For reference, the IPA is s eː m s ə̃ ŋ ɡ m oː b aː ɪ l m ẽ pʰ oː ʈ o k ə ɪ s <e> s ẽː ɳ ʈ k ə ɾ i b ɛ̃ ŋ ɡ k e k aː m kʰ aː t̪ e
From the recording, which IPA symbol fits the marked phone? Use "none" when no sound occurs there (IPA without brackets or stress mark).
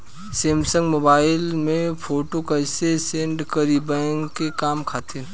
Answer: e